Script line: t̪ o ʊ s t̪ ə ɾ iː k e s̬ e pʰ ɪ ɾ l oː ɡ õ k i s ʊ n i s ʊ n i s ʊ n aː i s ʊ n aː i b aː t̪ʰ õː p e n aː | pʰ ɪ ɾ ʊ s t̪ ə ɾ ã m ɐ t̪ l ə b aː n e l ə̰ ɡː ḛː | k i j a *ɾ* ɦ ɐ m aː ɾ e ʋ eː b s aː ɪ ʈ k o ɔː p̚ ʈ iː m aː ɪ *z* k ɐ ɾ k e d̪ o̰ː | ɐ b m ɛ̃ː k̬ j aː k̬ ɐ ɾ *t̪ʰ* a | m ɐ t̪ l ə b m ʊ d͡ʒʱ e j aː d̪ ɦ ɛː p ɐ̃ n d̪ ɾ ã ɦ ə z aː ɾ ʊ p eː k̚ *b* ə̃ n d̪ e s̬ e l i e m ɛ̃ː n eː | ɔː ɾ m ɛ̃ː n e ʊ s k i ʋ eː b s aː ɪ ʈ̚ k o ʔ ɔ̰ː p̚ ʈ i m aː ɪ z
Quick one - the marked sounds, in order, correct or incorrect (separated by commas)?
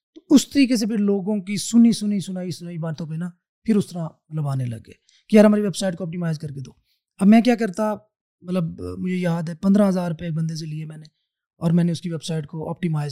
correct, correct, incorrect, correct